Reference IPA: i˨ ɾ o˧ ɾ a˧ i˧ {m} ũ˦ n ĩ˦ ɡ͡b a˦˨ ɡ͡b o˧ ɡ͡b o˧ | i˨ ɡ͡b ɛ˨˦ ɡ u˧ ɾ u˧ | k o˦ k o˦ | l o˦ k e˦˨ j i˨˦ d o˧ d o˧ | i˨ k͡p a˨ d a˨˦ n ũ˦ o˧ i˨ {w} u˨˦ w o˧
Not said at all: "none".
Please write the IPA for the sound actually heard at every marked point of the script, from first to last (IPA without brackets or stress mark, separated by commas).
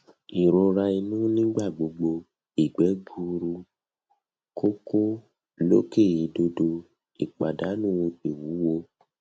n, w